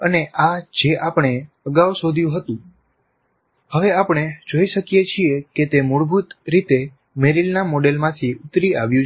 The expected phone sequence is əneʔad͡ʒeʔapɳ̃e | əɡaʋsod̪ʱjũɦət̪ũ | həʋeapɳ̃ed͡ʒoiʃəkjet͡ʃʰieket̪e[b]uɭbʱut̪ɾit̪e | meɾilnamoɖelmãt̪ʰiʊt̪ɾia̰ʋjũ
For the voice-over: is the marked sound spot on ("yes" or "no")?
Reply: no